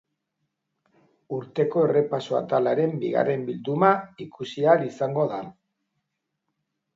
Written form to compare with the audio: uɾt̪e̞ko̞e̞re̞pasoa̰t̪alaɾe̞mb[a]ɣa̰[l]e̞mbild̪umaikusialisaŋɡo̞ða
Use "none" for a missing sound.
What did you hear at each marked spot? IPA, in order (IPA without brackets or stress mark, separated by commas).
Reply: i, r